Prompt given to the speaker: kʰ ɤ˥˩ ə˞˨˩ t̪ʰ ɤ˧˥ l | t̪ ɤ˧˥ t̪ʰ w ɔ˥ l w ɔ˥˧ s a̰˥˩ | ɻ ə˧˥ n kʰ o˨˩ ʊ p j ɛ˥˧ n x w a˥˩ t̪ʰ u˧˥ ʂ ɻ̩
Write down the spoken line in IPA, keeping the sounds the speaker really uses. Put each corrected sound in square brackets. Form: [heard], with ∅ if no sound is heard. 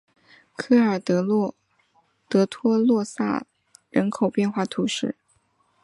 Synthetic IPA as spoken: kʰ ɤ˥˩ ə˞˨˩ [t̪] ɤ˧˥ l | t̪ ɤ˧˥ t̪ʰ w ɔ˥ l w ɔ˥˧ s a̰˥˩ | ɻ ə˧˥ n kʰ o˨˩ ʊ p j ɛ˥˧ n x w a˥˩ t̪ʰ u˧˥ ʂ ɻ̩